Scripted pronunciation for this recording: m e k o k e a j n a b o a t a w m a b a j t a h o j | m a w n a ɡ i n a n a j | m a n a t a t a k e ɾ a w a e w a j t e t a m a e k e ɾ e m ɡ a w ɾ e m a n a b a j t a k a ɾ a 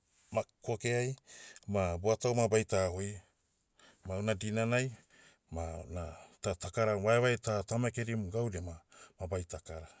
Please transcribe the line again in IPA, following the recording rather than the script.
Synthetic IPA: m a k o k e a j m a b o a t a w m a b a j t a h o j | m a w n a d i n a n a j | m a n a t a t a k a ɾ a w a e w a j t a t a m a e k e ɾ i m ɡ a w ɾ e m a m a b a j t a k a ɾ a